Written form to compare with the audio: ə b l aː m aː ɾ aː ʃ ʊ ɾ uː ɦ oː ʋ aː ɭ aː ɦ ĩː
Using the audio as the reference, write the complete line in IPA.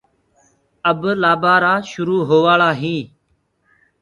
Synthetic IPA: ə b l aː b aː ɾ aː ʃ ʊ ɾ uː ɦ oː ʋ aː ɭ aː ɦ ĩː

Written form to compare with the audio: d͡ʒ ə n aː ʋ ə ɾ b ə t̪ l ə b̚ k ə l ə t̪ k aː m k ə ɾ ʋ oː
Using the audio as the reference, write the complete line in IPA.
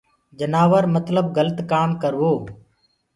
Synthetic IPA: d͡ʒ ə n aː ʋ ə ɾ m ə t̪ l ə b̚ ɡ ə l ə t̪ k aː m k ə ɾ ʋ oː

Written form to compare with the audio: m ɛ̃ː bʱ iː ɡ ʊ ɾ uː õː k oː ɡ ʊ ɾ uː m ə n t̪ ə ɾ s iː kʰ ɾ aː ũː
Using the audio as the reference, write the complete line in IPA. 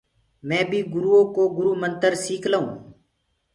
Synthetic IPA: m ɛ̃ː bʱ iː ɡ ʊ ɾ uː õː k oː ɡ ʊ ɾ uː m ə n t̪ ə ɾ s iː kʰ l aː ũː

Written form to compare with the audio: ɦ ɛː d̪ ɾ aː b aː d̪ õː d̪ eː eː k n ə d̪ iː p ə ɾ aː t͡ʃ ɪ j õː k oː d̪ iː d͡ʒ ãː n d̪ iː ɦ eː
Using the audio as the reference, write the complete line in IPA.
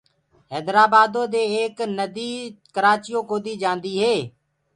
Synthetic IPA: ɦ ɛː d̪ ɾ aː b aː d̪ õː d̪ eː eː k n ə d̪ iː k ə ɾ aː t͡ʃ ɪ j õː k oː d̪ iː d͡ʒ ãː n d̪ iː ɦ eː

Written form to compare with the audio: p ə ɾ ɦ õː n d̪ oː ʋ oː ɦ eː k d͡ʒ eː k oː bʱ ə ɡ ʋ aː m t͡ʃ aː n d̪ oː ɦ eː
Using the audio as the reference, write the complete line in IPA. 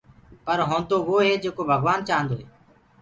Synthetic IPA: p ə ɾ ɦ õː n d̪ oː ʋ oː ɦ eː d͡ʒ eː k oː bʱ ə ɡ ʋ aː n t͡ʃ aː n d̪ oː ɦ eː

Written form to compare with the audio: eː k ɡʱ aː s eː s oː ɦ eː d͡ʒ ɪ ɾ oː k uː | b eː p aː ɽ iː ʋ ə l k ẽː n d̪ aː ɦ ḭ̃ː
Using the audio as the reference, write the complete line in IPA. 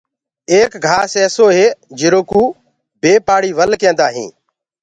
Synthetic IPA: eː k ɡʱ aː s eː s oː ɦ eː d͡ʒ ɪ ɾ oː k uː | b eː p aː ɽ iː ʋ ə l k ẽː n d̪ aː ɦ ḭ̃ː

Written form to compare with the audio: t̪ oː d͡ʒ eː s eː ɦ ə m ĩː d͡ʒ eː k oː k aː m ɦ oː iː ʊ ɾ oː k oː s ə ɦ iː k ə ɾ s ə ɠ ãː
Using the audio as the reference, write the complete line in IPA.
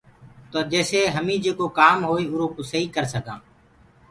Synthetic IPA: t̪ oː d͡ʒ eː s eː ɦ ə m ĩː d͡ʒ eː k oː k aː m ɦ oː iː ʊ ɾ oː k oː s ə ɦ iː k ə ɾ s ə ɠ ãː

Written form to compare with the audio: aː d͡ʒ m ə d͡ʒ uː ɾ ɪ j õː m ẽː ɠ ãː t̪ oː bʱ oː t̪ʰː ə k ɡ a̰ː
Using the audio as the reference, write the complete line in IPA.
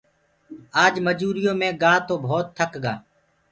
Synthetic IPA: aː d͡ʒ m ə d͡ʒ uː ɾ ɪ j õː m ẽː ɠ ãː t̪ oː bʱ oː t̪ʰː ə k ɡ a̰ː

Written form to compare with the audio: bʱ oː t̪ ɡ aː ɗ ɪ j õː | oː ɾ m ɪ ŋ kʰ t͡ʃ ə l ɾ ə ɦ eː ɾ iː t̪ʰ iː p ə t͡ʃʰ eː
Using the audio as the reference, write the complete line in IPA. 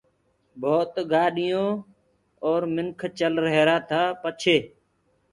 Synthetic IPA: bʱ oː t̪ ɡ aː ɗ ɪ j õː | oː ɾ m ɪ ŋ kʰ t͡ʃ ə l ɾ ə ɦ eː ɾ aː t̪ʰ aː p ə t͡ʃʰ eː

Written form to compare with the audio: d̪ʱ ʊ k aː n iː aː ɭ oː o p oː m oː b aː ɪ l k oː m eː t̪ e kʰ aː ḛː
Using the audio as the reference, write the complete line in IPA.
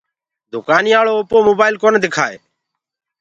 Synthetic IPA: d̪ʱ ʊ k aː n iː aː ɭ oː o p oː m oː b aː ɪ l k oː n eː d̪ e kʰ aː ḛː

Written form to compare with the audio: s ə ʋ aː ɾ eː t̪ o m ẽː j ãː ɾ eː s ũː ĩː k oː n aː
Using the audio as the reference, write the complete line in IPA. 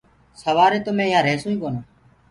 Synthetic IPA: s ə ʋ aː ɾ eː t̪ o m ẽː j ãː ɾ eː s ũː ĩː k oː n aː

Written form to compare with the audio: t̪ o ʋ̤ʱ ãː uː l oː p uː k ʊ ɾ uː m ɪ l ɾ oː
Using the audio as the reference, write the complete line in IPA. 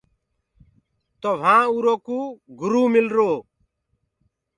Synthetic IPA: t̪ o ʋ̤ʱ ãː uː ɾ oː k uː ɡ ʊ ɾ uː m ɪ l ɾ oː

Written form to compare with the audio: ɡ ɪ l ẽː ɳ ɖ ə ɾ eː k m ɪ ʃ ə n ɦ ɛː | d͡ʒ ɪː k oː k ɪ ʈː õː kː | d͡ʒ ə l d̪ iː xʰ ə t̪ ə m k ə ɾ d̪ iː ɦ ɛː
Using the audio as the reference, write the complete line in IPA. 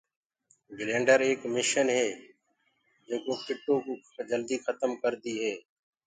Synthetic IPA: ɡ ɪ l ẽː ɳ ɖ ə ɾ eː k m ɪ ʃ ə n ɦ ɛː | d͡ʒ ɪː k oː k ɪ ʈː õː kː | d͡ʒ ə l d̪ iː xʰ ə t̪ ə m k ə ɾ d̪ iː ɦ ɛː

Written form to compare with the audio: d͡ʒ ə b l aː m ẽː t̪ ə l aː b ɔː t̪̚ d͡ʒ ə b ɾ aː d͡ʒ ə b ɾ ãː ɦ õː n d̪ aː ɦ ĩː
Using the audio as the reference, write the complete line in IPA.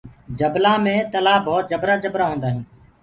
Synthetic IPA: d͡ʒ ə b l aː m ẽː t̪ ə l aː b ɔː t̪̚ d͡ʒ ə b ɾ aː d͡ʒ ə b ɾ aː ɦ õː n d̪ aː ɦ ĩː

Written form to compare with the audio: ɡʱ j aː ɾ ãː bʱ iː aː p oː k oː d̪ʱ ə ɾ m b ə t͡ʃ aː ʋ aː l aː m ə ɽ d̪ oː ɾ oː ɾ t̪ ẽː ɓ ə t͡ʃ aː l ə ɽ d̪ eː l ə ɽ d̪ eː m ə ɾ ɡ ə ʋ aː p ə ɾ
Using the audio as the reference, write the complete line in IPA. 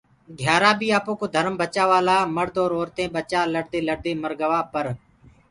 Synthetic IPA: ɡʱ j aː ɾ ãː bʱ iː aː p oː k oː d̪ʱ ə ɾ m b ə t͡ʃ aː ʋ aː l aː m ə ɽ d̪ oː ɾ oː ɾ t̪ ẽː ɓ ə t͡ʃ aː l ə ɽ d̪ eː l ə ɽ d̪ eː m ə ɾ ɡ ə ʋ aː p ə ɾ

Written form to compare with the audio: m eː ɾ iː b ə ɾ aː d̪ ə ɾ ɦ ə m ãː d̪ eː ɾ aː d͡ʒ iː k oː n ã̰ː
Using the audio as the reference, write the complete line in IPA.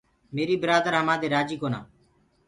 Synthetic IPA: m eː ɾ iː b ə ɾ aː d̪ ə ɾ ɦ ə m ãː d̪ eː ɾ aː d͡ʒ iː k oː n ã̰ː

